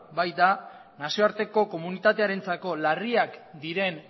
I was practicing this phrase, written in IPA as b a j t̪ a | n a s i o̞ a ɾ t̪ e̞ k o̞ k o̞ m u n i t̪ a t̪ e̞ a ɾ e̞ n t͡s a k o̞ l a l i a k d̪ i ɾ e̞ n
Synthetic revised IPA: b a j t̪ a | n a s i o̞ a ɾ t̪ e̞ k o̞ k o̞ m u n i t̪ a t̪ e̞ a ɾ e̞ n t͡s a k o̞ l a r i a k d̪ i ɾ e̞ n